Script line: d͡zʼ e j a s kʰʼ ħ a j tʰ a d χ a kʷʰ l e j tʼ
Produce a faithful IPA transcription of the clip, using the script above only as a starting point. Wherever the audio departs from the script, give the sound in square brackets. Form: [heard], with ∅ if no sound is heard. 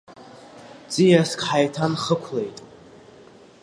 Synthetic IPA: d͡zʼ [i] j a s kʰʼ ħ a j tʰ a [n] χ [ə] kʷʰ l e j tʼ